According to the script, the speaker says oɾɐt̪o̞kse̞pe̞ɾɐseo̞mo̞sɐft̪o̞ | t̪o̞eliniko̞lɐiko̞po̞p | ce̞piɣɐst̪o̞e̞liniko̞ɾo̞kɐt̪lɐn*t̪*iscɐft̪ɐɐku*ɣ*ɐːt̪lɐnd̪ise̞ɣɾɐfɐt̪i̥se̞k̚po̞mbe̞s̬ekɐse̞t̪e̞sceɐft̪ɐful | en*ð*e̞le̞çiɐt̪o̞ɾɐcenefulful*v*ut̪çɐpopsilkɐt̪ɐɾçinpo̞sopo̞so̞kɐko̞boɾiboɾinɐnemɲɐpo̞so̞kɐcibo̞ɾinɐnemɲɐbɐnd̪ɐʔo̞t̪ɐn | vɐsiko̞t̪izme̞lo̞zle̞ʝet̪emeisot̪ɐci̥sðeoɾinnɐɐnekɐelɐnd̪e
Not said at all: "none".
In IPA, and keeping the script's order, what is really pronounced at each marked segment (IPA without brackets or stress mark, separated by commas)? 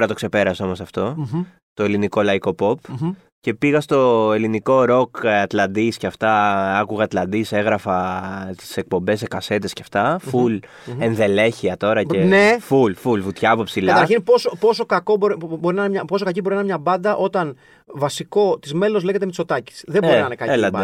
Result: d̪, ɣ, ð, v